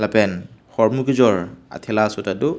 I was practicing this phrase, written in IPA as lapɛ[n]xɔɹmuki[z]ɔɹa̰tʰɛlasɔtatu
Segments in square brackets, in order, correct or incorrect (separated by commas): correct, correct